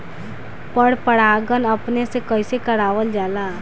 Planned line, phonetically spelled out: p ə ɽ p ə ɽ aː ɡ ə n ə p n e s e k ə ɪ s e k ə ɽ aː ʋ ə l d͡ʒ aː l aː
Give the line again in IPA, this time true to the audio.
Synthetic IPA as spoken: p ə ɽ p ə ɽ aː ɡ ə n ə p n e s e k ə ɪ s e k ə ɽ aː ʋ ə l d͡ʒ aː l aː